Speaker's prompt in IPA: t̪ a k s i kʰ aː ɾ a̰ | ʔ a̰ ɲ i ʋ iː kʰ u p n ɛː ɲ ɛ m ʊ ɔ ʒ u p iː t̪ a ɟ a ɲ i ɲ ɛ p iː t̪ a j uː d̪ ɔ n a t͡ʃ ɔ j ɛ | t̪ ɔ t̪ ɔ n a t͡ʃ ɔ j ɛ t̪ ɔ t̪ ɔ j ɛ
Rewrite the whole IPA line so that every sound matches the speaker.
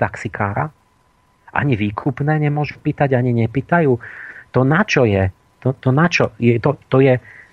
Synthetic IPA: t̪ a k s i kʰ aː ɾ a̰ | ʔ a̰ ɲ i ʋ iː kʰ u p n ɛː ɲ ɛ m ʊ ɔ ʒ u p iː t̪ a ɟ a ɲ i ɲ ɛ p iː t̪ a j uː t̪ ɔ n a t͡ʃ ɔ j ɛ | t̪ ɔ t̪ ɔ n a t͡ʃ ɔ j ɛ t̪ ɔ t̪ ɔ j ɛ